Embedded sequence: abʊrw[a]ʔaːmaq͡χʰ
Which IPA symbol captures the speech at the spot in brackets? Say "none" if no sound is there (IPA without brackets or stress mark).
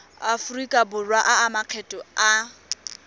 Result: a